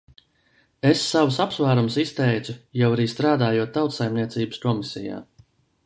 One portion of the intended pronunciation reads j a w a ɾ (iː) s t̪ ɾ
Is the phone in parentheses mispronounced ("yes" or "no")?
no